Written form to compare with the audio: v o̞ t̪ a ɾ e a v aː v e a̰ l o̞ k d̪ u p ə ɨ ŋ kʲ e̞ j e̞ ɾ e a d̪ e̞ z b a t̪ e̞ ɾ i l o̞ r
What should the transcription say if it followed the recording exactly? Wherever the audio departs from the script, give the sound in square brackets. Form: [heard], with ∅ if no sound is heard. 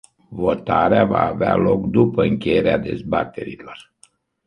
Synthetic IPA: v o̞ t̪ a ɾ e a v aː v e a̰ l o̞ k d̪ u p ə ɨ ŋ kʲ e̞ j e̞ ɾ e a d̪ e̞ z b a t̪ e̞ ɾ i l o̞ r